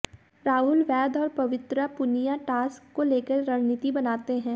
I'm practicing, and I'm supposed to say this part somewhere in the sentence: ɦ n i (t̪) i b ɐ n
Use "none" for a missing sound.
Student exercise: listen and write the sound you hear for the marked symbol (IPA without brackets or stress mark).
t̪